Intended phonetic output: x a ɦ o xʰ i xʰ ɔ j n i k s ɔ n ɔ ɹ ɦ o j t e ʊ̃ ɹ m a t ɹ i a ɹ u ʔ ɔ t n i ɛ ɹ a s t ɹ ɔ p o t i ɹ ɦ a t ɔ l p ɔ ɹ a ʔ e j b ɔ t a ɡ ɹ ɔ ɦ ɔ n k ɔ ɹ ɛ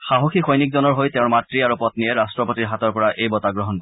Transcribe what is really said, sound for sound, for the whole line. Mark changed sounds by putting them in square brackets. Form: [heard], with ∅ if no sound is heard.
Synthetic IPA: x a ɦ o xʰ i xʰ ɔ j n i k [z] ɔ n ɔ ɹ ɦ o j t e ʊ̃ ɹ m a t ɹ i a ɹ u [p] ɔ t n i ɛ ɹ a s t ɹ ɔ p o t i ɹ ɦ a t ɔ [ɹ] p ɔ ɹ a ʔ e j b ɔ t a ɡ ɹ ɔ ɦ ɔ n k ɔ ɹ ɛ